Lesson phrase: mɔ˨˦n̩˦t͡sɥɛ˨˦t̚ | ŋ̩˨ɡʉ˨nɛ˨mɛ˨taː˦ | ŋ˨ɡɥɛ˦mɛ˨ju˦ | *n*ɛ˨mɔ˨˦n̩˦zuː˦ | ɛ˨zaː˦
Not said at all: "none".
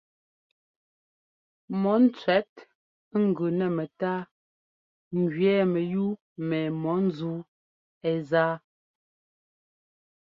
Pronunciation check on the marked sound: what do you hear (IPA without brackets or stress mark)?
m